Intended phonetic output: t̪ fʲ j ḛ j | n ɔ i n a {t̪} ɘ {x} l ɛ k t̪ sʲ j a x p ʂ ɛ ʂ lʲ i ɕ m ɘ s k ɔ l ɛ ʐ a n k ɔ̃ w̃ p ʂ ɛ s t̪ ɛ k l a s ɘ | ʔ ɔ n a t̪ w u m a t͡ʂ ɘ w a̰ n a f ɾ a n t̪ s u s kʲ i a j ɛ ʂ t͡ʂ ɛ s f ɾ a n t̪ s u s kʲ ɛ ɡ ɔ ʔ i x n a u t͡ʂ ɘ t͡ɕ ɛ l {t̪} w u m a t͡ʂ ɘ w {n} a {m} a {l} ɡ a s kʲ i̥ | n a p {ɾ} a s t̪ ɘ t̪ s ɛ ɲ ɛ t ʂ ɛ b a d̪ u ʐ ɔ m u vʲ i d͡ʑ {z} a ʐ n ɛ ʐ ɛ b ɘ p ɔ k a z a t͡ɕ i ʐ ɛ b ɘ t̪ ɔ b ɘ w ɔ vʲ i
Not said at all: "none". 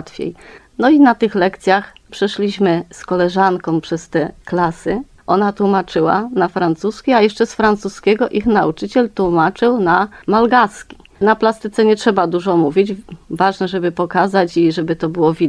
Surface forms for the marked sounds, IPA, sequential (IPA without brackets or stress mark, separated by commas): t̪, x, t̪, n, m, l, l, v